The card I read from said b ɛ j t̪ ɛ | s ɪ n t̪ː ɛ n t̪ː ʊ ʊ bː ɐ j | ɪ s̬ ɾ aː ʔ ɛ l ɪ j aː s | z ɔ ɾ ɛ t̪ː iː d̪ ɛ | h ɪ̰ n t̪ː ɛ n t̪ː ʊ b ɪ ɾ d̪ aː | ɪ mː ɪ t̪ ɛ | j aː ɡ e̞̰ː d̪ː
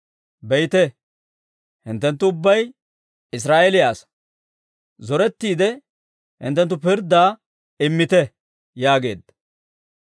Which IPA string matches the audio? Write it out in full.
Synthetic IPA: b ɛ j t̪ ɛ | h ɪ n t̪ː ɛ n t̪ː ʊ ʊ bː ɐ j | ɪ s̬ ɾ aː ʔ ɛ l ɪ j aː s | z ɔ ɾ ɛ t̪ː iː d̪ ɛ | h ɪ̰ n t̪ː ɛ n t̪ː ʊ p ɪ ɾ d̪ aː | ɪ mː ɪ t̪ ɛ | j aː ɡ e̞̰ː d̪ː